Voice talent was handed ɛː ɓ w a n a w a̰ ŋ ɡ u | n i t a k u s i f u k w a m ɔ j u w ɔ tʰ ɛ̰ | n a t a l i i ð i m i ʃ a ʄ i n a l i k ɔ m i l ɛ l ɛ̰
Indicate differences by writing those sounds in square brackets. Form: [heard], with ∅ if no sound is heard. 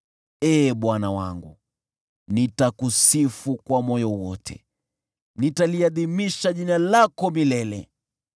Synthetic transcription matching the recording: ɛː ɓ w a n a w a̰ ŋ ɡ u | n i t a k u s i f u k w a m ɔ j [ɔ] w ɔ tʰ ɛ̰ | n [i] t a l i [a] ð i m i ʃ a ʄ i n a l [a] k ɔ m i l ɛ l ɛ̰